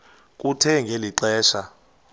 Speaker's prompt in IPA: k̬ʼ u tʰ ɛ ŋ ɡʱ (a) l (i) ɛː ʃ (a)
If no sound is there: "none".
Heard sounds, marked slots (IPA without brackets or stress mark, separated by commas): e, i, a